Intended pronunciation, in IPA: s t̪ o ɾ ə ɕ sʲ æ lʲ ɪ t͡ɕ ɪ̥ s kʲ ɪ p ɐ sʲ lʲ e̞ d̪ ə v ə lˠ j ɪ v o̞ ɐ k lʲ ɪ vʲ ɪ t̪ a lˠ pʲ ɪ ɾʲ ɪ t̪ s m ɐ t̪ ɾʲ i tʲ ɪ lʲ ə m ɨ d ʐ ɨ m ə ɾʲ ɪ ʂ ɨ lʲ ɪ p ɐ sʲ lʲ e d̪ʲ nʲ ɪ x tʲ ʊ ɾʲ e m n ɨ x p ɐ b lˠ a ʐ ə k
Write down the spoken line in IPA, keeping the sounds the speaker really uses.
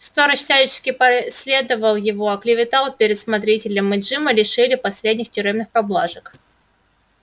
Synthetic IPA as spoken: s t̪ o ɾ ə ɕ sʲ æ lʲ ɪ t͡ɕ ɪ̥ s kʲ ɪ p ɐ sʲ lʲ e̞ d̪ ə v ə lˠ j ɪ v o̞ ɐ k lʲ ɪ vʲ ɪ t̪ a lˠ pʲ ɪ ɾʲ ɪ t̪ s m ɐ t̪ ɾʲ i tʲ ɪ lʲ ə m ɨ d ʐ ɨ m ə lʲ ɪ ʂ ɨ lʲ ɪ p ɐ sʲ lʲ e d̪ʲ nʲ ɪ x tʲ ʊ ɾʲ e m n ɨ x p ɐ b lˠ a ʐ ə k

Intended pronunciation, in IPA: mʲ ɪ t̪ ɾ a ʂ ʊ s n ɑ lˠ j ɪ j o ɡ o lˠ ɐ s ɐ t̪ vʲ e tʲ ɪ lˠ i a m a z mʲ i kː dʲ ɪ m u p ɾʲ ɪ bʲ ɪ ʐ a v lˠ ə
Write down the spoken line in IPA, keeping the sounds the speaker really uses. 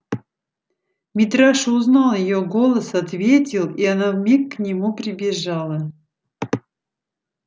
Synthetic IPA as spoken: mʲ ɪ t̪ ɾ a ʂ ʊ z n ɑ lˠ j ɪ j o ɡ o lˠ ə s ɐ t̪ vʲ e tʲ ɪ lˠ i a n a v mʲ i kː nʲ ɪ m u p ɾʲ ɪ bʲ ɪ ʐ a lˠ ə

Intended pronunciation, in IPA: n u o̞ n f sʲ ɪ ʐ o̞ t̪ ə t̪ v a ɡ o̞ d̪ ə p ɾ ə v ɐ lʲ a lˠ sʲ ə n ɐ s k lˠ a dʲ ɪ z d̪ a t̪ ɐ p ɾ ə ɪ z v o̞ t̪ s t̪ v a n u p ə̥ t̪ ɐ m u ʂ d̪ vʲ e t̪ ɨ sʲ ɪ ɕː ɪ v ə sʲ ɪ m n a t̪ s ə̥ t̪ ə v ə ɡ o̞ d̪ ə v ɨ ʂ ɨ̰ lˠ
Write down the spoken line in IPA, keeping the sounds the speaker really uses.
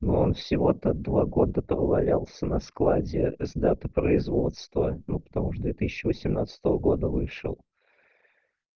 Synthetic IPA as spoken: n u o̞ n f sʲ ɪ v o̞ t̪ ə d̪ v a ɡ o̞ d̪ ə p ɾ ə v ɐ lʲ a lˠ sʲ ə n ɐ s k lˠ a dʲ ɪ z d̪ a t̪ ə p ɾ ə ɪ z v o̞ t̪ s t̪ v ə n u p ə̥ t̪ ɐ m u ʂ d̪ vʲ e t̪ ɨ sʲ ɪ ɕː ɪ v ə sʲ ɪ m n a t̪ s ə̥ t̪ ə v ə ɡ o̞ d̪ ə v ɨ ʂ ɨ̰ lˠ

